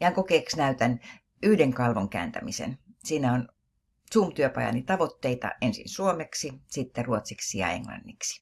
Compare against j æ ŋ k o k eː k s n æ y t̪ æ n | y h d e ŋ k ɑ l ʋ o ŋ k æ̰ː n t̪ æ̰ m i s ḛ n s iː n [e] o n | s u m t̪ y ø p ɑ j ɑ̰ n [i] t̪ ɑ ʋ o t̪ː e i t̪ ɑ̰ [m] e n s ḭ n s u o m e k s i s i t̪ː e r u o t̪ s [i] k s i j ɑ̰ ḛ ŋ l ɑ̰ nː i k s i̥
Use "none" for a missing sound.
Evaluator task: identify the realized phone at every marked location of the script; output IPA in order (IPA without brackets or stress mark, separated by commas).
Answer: æ, i, none, i